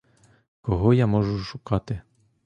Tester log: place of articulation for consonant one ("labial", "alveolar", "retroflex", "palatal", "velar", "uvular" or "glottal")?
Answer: velar